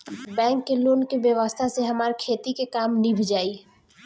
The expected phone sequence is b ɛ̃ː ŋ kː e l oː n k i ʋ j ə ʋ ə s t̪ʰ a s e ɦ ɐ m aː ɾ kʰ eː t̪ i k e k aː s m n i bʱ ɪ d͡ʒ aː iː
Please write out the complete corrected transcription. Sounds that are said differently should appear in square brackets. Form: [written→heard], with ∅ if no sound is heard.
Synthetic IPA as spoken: b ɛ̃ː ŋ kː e l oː n k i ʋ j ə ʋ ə s t̪ʰ a s e ɦ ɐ m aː ɾ kʰ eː t̪ i k e k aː [s→∅] m n i bʱ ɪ d͡ʒ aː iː